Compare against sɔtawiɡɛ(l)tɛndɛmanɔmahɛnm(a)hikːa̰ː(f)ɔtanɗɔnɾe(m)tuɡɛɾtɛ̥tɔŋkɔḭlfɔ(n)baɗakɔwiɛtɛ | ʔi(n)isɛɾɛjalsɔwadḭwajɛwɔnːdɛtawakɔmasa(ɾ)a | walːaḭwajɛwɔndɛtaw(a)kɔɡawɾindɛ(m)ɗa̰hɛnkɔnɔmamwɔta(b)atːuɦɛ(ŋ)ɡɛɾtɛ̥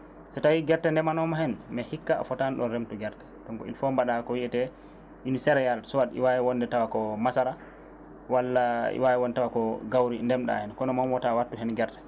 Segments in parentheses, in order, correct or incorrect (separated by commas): incorrect, incorrect, correct, correct, incorrect, correct, correct, correct, correct, incorrect, incorrect